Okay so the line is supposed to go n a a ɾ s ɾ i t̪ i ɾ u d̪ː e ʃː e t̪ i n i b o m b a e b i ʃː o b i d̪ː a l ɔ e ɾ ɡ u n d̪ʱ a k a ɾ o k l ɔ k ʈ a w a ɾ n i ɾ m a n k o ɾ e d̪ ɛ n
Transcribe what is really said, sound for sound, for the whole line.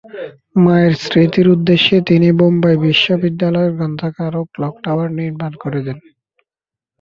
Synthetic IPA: m a e ɾ s ɾ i t̪ i ɾ u d̪ː e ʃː e t̪ i n i b o m b a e b i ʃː o b i d̪ː a l ɔ e ɾ ɡ ɔ n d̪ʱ a k a ɾ o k l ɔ k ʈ a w a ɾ n i ɾ m a n k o ɾ e d̪ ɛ n